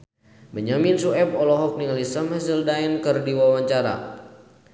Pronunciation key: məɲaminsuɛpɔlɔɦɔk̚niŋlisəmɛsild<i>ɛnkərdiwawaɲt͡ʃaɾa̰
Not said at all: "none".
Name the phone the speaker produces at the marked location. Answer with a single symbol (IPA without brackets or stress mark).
a